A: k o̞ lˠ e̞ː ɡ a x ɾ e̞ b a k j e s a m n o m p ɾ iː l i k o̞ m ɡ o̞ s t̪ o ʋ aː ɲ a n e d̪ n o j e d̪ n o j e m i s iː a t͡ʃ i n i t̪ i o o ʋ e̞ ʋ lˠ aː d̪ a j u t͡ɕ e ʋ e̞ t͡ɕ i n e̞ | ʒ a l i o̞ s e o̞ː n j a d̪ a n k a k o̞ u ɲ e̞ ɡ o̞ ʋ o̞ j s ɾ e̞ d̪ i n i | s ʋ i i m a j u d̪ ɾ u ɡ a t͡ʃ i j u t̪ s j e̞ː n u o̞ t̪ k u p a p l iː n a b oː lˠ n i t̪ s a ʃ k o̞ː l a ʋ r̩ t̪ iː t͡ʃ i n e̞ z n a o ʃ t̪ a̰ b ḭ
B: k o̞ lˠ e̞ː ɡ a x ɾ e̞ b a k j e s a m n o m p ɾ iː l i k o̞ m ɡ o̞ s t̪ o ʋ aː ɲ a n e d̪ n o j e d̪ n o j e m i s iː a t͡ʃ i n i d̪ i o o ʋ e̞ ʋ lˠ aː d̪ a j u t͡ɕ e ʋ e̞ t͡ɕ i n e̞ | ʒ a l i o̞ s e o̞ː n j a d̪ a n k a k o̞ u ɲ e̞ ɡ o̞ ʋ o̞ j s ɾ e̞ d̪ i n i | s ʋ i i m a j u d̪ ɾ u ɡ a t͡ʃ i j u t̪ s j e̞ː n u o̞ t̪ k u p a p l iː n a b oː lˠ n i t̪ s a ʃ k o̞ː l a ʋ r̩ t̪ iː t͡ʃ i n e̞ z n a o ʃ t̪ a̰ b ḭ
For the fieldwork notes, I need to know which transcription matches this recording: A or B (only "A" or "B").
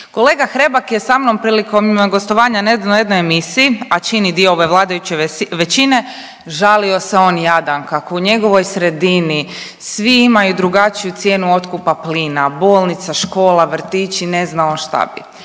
B